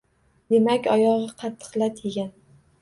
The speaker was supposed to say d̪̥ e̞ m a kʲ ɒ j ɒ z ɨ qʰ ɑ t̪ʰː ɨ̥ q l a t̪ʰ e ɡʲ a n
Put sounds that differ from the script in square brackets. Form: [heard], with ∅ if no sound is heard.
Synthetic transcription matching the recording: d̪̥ e̞ m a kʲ ɒ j ɒ [ʁ] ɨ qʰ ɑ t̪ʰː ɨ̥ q l a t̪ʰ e ɡʲ a n